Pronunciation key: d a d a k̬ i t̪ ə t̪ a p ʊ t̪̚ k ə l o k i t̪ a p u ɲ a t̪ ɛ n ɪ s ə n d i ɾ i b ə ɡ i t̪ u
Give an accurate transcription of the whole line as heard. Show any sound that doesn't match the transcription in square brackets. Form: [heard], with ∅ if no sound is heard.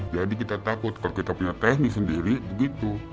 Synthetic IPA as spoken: [d͡ʒ] a d [i] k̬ i t̪ [a] t̪ a [k] ʊ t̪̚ k [a] l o k i t̪ a p u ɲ a t̪ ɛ n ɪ s ə n d i ɾ i b ə ɡ i t̪ u